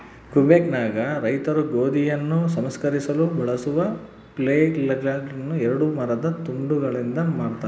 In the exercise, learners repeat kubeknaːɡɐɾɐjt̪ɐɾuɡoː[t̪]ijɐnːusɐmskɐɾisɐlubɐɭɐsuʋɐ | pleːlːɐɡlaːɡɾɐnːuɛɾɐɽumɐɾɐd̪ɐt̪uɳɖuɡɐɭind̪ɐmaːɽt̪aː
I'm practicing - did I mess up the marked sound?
yes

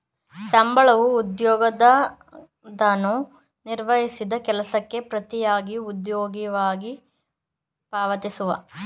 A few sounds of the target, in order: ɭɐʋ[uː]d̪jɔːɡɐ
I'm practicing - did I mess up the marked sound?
no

